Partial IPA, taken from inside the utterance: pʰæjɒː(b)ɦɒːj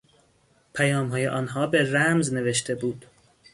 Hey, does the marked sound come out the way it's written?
no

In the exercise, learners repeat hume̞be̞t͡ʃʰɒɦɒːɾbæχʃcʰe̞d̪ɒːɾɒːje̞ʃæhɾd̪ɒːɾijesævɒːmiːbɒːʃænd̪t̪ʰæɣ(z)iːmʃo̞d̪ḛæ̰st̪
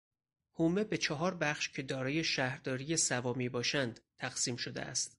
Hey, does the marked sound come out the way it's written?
no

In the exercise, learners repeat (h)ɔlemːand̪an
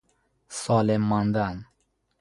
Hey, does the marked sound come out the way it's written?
no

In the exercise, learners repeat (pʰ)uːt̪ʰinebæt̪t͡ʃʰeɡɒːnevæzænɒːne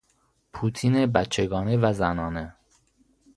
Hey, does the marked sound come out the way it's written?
yes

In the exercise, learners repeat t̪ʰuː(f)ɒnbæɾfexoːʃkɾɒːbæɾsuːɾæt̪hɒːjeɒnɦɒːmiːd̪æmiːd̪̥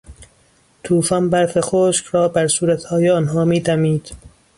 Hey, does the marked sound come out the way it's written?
yes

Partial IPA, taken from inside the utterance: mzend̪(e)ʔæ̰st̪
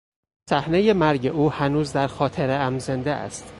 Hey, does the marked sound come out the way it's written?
yes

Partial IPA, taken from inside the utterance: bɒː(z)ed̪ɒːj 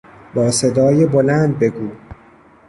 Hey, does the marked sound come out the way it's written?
no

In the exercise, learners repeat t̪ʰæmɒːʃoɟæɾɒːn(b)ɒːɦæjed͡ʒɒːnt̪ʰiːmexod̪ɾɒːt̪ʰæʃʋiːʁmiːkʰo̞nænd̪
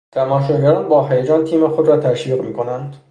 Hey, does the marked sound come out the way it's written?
yes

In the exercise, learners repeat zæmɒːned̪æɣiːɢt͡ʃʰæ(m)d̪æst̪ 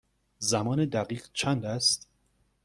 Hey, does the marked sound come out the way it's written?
no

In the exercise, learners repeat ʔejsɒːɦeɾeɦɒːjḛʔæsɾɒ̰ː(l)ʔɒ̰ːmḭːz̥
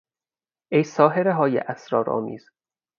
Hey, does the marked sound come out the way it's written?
no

